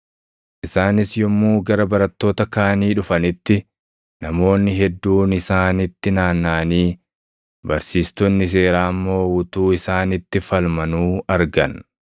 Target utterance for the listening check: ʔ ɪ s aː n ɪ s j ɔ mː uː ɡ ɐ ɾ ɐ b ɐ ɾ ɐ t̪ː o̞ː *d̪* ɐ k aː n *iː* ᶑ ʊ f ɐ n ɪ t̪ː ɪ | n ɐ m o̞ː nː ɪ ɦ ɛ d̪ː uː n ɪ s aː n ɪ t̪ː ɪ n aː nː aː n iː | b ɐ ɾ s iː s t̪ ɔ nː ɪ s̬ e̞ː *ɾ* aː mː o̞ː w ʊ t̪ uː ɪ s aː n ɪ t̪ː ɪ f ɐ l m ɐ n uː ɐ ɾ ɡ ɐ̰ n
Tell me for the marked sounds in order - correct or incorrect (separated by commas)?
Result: incorrect, correct, correct